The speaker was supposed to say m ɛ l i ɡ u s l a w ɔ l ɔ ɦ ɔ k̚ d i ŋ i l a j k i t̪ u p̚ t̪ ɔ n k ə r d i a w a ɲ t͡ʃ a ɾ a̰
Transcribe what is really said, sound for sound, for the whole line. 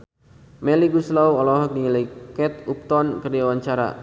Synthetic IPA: m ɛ l i ɡ u s l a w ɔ l ɔ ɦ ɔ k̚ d i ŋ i l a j k ɛ t̪ u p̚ t̪ ɔ n k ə r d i a w a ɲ t͡ʃ a ɾ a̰

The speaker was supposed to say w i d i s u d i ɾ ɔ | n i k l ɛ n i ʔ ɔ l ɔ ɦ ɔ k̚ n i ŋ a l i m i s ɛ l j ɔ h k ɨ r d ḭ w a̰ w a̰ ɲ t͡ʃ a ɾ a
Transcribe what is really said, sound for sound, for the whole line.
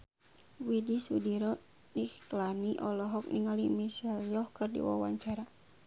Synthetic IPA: w i d i s u d i ɾ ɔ | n i k l a n i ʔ ɔ l ɔ ɦ ɔ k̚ n i ŋ a l i m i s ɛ l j ɔ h k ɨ r d ḭ w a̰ w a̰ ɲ t͡ʃ a ɾ a

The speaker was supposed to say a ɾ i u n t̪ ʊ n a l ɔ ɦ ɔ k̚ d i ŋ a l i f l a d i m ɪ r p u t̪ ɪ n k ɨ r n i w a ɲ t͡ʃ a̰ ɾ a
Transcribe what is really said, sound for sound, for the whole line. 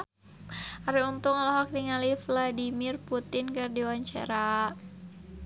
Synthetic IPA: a ɾ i u n t̪ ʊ ŋ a l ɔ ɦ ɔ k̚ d i ŋ a l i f l a d i m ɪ r p u t̪ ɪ n k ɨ r d i w a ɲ t͡ʃ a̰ ɾ a

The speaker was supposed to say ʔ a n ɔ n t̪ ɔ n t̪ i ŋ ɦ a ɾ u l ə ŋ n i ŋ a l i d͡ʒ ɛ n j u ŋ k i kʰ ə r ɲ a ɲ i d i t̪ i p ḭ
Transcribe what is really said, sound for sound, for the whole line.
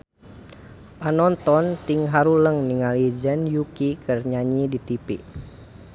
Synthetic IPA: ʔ a n ɔ n t̪ ɔ n t̪ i ŋ ɦ a ɾ u l ə ŋ n i ŋ a l i d͡ʒ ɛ n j u k i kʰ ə r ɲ a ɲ i d i t̪ i p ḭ

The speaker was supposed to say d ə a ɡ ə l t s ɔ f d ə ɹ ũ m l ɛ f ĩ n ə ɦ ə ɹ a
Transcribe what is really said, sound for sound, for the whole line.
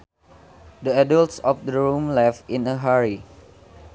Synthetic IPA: d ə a d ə l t s ɔ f d ə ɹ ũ m l ɛ f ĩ n ə ɦ a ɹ i

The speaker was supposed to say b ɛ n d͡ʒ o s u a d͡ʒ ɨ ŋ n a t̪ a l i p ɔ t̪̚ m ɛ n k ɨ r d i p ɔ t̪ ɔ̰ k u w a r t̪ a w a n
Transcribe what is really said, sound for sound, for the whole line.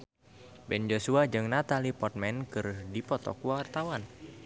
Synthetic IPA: b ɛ n d͡ʒ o s u a d͡ʒ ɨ ŋ n a t̪ a l i p ɔ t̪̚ m ɛ n k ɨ r d i p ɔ t̪ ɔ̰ k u w a r t̪ a w a n

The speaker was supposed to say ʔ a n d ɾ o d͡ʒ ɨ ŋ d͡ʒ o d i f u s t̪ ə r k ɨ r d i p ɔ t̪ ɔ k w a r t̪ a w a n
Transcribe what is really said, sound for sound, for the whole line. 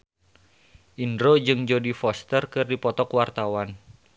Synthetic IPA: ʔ i n d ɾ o d͡ʒ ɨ ŋ d͡ʒ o d i f ɔ s t̪ ə r k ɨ r d i p ɔ t̪ ɔ k w a r t̪ a w a n

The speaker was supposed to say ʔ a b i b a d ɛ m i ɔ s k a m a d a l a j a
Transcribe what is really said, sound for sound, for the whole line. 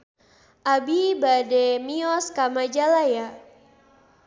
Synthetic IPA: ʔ a b i b a d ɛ m i ɔ s k a m a d͡ʒ a l a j a

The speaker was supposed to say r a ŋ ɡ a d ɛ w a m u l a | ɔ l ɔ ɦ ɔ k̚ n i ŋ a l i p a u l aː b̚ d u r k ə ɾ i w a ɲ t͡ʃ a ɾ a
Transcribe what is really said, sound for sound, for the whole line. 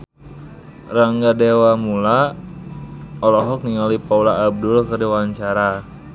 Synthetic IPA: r a ŋ ɡ a d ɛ w a m u l a | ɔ l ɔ ɦ ɔ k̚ n i ŋ a l i p a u l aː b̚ d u l k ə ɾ i w a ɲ t͡ʃ a ɾ a

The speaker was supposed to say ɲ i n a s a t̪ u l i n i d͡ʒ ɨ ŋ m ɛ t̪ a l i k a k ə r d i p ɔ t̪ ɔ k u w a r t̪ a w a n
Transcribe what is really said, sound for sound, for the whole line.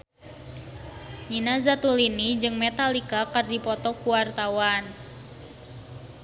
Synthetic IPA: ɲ i n a z a t̪ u l i n i d͡ʒ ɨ ŋ m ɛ t̪ a l i k a k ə r d i p ɔ t̪ ɔ k u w a r t̪ a w a n

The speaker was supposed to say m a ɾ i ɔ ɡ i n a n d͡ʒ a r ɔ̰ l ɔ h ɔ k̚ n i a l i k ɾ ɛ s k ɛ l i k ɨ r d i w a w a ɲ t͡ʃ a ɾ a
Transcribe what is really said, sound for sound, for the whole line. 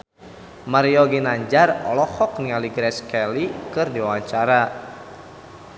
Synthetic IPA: m a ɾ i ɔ ɡ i n a ɲ d͡ʒ a r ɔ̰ l ɔ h ɔ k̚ n i a l i ɡ ɾ ɛ s k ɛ l i k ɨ r d i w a w a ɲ t͡ʃ a ɾ a

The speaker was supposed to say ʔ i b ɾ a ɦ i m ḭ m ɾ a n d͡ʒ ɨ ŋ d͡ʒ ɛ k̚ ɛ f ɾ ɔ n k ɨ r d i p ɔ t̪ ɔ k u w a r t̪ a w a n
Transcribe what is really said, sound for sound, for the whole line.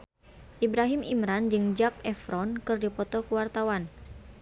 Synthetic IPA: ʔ i b ɾ a ɦ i m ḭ m ɾ a n d͡ʒ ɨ ŋ d͡ʒ a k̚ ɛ f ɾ ɔ n k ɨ r d i p ɔ t̪ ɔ k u w a r t̪ a w a n

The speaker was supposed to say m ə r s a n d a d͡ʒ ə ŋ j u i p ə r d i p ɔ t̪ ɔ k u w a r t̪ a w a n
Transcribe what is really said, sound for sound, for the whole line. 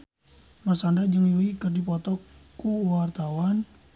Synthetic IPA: m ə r s a n d a d͡ʒ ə ŋ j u i k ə r d i p ɔ t̪ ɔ k u w a r t̪ a w a n

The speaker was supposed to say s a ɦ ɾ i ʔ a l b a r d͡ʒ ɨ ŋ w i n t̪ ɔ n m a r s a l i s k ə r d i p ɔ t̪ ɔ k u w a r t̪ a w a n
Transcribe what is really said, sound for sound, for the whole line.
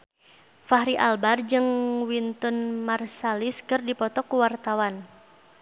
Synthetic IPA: f a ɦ ɾ i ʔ a l b a r d͡ʒ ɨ ŋ w i n t̪ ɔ n m a r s a l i s k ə r d i p ɔ t̪ ɔ k u w a r t̪ a w a n

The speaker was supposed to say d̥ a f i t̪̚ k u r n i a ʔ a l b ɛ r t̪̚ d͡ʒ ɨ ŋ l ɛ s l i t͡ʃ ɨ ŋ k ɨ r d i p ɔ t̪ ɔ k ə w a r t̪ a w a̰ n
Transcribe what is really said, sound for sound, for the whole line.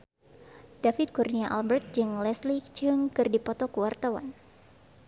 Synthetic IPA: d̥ a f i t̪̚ k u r n i a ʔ a l b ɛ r t̪̚ d͡ʒ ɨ ŋ l ɛ s l i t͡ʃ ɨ ŋ k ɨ r d i p ɔ t̪ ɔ k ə w a r t̪ a w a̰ n

